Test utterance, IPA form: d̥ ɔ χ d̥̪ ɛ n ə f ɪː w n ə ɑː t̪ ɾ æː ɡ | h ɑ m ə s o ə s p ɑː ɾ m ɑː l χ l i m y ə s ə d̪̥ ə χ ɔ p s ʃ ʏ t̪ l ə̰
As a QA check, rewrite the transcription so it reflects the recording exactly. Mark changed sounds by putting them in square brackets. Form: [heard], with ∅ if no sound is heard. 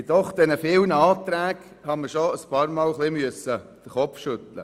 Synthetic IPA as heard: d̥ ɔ χ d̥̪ ɛ n ə f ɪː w n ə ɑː t̪ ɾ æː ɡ | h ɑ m ə [ʃ] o ə s p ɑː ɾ m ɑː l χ l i m y ə s ə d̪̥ ə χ ɔ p [f] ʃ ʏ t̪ l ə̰